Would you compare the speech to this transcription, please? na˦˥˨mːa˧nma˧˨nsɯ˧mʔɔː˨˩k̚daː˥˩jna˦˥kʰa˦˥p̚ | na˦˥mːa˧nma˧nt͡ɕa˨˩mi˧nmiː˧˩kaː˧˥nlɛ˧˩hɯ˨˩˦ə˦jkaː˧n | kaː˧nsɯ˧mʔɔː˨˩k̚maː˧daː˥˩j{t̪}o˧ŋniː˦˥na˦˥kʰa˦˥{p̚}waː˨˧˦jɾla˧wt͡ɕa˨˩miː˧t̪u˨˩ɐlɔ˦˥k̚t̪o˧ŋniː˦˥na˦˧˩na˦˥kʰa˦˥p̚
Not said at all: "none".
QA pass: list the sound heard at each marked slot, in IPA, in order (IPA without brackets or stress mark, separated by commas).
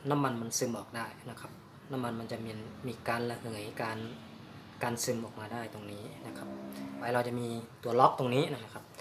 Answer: t̪, p̚